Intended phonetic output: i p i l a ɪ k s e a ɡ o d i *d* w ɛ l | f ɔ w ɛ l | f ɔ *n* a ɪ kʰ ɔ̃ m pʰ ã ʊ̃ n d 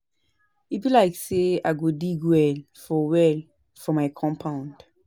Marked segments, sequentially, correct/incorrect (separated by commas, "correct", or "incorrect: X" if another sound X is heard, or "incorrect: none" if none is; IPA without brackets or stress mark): incorrect: ɡ, incorrect: m